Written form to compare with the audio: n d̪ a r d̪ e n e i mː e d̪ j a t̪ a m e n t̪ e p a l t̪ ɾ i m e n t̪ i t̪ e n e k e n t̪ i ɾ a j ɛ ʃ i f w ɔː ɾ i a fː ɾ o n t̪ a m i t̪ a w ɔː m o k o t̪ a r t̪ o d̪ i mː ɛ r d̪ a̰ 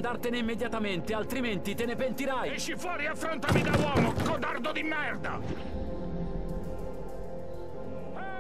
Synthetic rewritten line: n d̪ a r t̪ e n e i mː e d̪ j a t̪ a m e n t̪ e a l t̪ ɾ i m e n t̪ i t̪ e n e p e n t̪ i ɾ a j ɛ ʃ i f w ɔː ɾ i a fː ɾ o n t̪ a m i d̪ a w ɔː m o k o d̪ a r d̪ o d̪ i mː ɛ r d̪ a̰